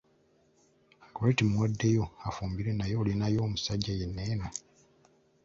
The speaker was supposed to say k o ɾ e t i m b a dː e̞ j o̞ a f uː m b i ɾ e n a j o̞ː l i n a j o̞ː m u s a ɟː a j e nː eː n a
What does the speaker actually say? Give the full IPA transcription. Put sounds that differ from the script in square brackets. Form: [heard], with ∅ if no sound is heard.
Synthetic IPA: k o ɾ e t i m [w] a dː e̞ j o̞ a f uː m b i ɾ e n a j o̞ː l i n a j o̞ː m u s a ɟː a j e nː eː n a

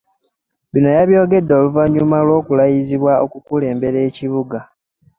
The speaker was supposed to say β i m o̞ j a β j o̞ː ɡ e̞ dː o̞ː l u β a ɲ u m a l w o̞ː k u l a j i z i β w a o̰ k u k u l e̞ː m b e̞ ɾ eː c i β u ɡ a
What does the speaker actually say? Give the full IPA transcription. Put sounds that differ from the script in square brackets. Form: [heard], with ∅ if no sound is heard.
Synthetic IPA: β i [n] o̞ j a β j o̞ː ɡ e̞ dː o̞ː l u [v] a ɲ u m a l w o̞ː k u l a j i z i β w a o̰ k u k u l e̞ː m b e̞ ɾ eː c i β u ɡ a

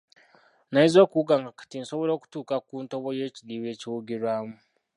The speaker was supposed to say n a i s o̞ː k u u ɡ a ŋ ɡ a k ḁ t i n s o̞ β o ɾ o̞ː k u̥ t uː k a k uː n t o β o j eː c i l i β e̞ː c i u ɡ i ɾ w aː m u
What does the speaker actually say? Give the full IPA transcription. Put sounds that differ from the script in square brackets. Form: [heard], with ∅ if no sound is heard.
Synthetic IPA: n a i [z] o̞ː k u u ɡ a ŋ ɡ a k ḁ t i n s o̞ β o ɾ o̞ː k u̥ t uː k a k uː n t o β o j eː c i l i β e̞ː c i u ɡ i ɾ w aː m u

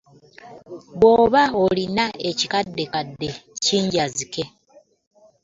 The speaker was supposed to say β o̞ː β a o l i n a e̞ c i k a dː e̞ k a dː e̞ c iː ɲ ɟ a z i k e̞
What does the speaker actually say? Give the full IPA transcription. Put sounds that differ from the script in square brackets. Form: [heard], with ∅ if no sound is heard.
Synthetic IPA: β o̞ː β a o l i n a e̞ c i k a dː e̞ k a dː e̞ c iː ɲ ɟ a z i k e̞

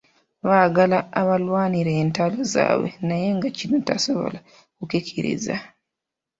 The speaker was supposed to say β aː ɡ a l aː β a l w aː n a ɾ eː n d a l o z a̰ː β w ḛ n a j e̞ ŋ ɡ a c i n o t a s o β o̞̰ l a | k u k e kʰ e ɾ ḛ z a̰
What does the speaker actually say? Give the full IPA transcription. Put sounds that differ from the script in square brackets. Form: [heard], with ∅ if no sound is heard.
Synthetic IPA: β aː ɡ a l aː β a l w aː n [i] ɾ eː n [t] a l o z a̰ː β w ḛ n a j e̞ ŋ ɡ a c i n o t a s o β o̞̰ l a | k u k e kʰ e ɾ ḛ z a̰

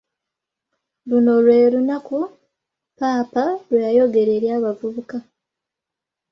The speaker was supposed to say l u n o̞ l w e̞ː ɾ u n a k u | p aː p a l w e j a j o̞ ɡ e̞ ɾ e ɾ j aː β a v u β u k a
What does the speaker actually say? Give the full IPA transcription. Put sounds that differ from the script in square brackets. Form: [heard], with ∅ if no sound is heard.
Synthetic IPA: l u n o̞ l w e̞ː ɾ u n a k u | p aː p a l w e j a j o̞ ɡ e̞ ɾ e ɾ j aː β a v u β u k a

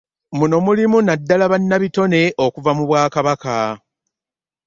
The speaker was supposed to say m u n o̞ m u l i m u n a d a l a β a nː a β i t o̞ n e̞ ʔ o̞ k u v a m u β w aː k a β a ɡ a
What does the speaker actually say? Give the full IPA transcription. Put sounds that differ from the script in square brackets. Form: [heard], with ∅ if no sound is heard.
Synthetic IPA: m u n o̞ m u l i m u n a [dː] a l a β a nː a β i t o̞ n e̞ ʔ o̞ k u v a m u β w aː k a β a [k] a

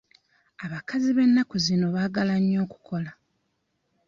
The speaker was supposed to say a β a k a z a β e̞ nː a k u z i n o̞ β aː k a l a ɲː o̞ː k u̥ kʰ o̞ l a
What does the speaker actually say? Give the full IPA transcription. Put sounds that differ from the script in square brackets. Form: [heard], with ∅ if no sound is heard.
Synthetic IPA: a β a k a z [i] β e̞ nː a k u z i n o̞ β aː [ɡ] a l a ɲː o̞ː k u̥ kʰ o̞ l a

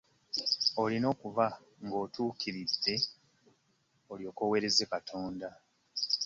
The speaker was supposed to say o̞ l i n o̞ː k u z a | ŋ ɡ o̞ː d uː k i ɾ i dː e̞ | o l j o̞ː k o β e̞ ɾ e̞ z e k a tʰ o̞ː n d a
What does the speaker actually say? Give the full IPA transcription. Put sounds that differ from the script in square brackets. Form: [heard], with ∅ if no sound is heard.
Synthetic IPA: o̞ l i n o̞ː k u [v] a | ŋ ɡ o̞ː [t] uː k i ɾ i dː e̞ | o l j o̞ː k o [w] e̞ ɾ e̞ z e k a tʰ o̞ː n d a

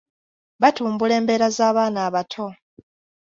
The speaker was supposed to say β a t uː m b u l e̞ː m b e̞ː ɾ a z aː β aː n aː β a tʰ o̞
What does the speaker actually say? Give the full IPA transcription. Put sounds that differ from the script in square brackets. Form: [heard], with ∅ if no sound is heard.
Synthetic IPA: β a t uː m b u l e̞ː m b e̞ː ɾ a z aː β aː n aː β a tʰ o̞

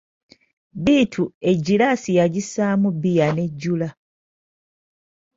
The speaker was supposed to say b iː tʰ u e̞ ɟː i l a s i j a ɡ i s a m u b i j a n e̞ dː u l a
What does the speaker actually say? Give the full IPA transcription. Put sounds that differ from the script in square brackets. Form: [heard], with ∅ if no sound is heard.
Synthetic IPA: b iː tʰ u e̞ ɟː i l a s i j a [ɟ] i s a m u b i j a n e̞ [ɟː] u l a

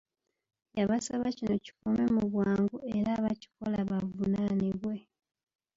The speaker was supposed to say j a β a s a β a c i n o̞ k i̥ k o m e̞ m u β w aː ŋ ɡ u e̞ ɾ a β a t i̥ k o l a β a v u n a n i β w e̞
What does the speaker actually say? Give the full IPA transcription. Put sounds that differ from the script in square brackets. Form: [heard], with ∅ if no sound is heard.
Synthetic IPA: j a β a s a β a c i n o̞ [c] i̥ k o m e̞ m u β w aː ŋ ɡ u e̞ ɾ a β a [c] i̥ k o l a β a v u n a n i β w e̞

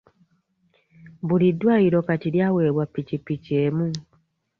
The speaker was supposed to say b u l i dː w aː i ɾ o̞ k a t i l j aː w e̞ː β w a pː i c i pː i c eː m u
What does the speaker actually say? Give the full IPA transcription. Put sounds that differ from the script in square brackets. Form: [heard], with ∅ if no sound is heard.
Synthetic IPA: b u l i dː w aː i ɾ o̞ k a t i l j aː w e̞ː β w a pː i c i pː i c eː m u

